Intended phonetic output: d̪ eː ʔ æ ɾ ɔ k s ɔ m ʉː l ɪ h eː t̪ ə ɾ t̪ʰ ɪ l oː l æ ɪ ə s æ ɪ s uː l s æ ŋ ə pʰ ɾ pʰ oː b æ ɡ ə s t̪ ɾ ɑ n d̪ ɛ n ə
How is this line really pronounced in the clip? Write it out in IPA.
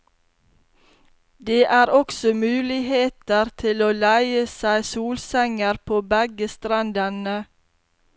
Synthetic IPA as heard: d̪ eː ʔ æː ɾ ɔ k s ɔ m ʉː l ɪ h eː t̪ ə ɾ t̪ʰ ɪ l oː l æ ɪ ə s æ ɪ s uː l s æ ŋ ə ɾ pʰ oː b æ ɡ ə s t̪ ɾ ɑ n d̪ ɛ n ə